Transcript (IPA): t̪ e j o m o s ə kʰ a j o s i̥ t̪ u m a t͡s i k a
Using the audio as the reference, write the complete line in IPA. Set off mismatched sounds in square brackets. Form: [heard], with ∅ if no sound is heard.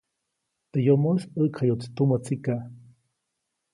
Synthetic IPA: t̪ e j o m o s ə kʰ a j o [t͡s] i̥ t̪ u m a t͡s i k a